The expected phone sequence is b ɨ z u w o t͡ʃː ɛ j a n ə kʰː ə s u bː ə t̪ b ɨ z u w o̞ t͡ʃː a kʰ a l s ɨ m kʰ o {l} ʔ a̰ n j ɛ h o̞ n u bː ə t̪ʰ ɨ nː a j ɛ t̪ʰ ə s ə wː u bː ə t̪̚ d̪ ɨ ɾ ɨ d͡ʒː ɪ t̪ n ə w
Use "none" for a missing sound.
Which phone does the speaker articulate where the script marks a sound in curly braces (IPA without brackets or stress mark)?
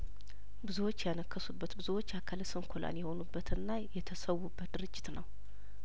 l